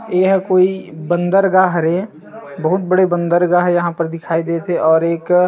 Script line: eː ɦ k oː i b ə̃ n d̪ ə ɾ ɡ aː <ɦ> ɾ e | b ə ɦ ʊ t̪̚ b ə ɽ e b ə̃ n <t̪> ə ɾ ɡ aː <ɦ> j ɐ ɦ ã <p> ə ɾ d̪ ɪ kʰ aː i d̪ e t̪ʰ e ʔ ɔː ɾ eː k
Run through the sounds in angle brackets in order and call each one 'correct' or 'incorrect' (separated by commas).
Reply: correct, incorrect, correct, correct